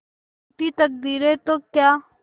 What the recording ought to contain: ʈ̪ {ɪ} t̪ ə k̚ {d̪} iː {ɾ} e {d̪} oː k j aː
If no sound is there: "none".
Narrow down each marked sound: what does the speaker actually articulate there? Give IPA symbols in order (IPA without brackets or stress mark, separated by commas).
i, d̪, ɾ, t̪